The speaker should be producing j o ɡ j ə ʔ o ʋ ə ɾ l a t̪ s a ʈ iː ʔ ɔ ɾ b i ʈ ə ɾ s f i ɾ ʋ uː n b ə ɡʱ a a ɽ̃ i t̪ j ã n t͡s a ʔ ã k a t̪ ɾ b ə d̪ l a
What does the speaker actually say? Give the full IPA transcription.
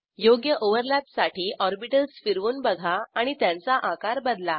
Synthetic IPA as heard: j o ɡ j ə ʔ o ʋ ə ɾ l a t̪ s a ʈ iː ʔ ɔ ɾ b i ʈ ə l s f i ɾ ʋ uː n b ə ɡʱ a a ɽ̃ i t̪ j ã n t͡s a ʔ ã k a ɾ b ə d̪ l a